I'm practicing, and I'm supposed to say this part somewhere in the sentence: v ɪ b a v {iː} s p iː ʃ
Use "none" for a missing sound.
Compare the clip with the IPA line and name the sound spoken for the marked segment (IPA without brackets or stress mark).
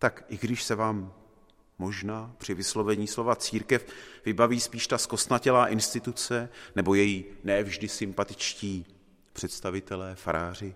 iː